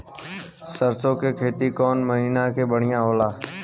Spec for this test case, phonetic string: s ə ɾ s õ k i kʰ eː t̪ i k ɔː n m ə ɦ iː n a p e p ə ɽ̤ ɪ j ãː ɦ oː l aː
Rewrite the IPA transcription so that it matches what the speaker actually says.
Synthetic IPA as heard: s ə ɾ s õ k e kʰ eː t̪ i k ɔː n m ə ɦ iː n a k e b ə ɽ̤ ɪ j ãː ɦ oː l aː